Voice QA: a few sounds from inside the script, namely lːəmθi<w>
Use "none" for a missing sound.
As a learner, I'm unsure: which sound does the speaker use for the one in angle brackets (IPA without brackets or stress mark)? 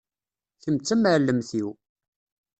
w